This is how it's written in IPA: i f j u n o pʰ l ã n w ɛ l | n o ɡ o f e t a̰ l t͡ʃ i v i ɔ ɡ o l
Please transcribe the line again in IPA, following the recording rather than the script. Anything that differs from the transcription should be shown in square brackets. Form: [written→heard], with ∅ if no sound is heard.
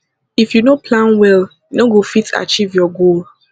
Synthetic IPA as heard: i f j u n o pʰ l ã n w ɛ l | n o ɡ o f [e→i] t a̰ [l→∅] t͡ʃ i v [i→j] ɔ ɡ o l